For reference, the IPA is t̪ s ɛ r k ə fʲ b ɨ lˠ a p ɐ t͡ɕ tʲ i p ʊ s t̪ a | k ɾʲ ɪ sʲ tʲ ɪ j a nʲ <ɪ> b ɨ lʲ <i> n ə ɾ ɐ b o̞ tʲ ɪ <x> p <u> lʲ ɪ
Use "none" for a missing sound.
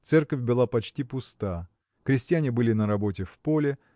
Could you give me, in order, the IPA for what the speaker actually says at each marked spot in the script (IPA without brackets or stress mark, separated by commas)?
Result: ɪ, ɪ, f, o